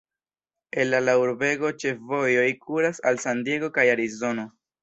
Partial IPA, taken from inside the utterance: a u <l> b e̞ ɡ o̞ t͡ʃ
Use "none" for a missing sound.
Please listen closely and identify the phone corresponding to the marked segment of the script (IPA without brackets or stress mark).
ɾ